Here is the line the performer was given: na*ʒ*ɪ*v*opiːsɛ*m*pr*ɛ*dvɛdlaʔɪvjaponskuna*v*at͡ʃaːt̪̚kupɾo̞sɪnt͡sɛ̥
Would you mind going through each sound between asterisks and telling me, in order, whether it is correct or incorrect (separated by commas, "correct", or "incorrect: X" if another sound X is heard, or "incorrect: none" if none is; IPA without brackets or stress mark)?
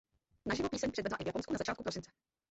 correct, correct, incorrect: ɲ, correct, incorrect: z